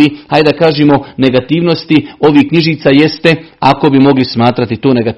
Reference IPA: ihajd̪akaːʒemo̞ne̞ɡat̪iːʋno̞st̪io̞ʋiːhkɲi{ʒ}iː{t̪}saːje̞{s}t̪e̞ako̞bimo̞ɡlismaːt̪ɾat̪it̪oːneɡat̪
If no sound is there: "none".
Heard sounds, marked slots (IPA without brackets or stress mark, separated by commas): ʒ, t̪, s